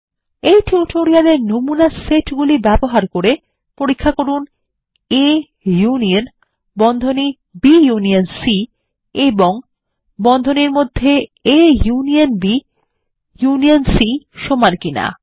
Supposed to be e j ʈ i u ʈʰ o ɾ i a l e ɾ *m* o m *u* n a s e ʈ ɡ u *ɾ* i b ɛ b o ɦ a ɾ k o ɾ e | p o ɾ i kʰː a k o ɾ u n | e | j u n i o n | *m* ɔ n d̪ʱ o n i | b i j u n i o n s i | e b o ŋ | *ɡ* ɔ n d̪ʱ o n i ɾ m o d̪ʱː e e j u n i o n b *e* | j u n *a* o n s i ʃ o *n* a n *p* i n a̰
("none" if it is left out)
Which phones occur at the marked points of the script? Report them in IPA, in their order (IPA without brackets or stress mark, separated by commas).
n, u, l, b, b, i, i, m, k